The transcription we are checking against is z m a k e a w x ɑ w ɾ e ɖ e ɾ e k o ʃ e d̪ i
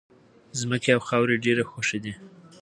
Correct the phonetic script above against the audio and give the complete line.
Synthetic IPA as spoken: z m ə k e a w x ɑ w ɾ e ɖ e ɾ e x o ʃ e d̪ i